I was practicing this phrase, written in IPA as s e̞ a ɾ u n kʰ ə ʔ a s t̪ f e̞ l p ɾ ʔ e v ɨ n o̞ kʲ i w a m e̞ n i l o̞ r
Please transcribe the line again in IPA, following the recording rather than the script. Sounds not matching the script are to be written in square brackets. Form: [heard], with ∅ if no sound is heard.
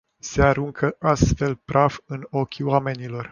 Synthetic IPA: s e̞ a ɾ u [ŋ] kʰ ə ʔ a s t̪ f e̞ l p ɾ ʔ [a] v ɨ n o̞ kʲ i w a m e̞ n i l o̞ r